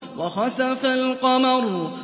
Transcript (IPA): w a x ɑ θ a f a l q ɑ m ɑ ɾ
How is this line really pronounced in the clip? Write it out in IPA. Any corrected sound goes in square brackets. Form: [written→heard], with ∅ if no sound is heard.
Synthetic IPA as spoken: w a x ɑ [θ→s] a f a l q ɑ m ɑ ɾ